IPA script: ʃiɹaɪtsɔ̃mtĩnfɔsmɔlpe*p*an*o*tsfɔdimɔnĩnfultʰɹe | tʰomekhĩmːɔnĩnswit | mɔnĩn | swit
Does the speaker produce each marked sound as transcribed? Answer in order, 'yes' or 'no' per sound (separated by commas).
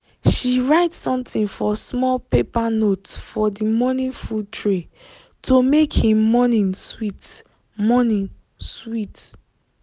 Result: yes, yes